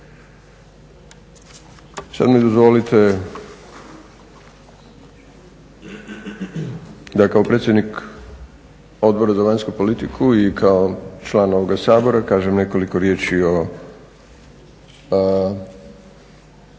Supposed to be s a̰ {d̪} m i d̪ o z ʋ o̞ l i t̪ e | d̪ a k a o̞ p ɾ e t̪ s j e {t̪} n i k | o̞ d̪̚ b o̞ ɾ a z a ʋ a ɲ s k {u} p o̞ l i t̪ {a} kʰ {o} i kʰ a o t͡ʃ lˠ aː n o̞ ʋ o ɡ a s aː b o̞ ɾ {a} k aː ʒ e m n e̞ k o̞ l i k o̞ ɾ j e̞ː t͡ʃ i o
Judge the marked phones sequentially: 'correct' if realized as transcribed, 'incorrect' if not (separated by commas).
correct, incorrect, correct, incorrect, incorrect, correct